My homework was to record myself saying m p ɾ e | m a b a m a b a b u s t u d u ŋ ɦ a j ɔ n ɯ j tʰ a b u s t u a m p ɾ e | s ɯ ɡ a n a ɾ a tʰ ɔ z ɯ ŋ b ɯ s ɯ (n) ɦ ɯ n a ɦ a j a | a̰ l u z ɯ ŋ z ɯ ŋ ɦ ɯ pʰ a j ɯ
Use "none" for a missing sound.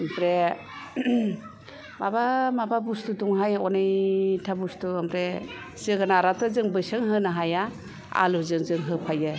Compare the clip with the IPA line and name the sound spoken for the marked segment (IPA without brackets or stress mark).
ŋ